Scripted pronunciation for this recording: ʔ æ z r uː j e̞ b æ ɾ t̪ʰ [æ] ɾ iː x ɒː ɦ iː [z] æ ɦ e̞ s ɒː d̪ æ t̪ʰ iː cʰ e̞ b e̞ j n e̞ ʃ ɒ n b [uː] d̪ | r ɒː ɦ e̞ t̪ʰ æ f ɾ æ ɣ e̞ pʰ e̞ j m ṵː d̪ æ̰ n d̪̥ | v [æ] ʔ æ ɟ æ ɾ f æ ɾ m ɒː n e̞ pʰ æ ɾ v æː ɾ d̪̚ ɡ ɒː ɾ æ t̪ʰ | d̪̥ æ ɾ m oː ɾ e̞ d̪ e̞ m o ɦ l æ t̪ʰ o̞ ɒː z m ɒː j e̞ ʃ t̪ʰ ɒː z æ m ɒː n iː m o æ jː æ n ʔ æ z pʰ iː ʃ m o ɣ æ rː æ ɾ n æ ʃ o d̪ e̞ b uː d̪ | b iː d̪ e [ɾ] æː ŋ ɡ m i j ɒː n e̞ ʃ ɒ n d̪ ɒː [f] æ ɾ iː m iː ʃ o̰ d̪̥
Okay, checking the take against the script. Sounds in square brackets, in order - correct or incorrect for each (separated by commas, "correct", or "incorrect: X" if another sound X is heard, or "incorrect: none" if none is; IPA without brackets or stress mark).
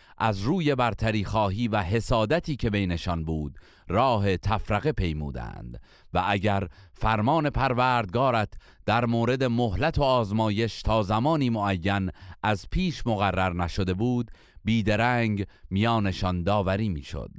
correct, incorrect: v, correct, correct, correct, incorrect: v